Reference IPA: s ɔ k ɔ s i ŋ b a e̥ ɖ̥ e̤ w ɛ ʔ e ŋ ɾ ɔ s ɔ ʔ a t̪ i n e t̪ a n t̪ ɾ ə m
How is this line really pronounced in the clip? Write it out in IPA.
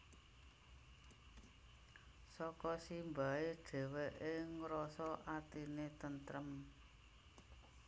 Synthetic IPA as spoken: s ɔ k ɔ s i m b a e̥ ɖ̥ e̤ w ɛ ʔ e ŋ ɾ ɔ s ɔ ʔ a t̪ i n e t̪ ə n t̪ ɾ ə m